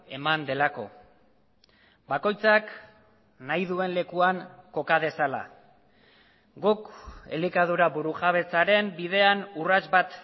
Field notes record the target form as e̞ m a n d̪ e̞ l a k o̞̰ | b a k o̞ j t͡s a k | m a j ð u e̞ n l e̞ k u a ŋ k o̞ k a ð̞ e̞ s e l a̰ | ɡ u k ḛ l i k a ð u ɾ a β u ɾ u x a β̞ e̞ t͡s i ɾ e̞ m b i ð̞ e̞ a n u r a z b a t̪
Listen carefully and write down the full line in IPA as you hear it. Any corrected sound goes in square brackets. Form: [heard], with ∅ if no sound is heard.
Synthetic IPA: e̞ m a n d̪ e̞ l a k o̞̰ | b a k o̞ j t͡s a k | [n] a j ð u e̞ n l e̞ k u a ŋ k o̞ k a ð̞ e̞ s [a] l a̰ | ɡ u k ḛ l i k a ð u ɾ a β u ɾ u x a β̞ e̞ t͡s [a] ɾ e̞ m b i ð̞ e̞ a n u r a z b a t̪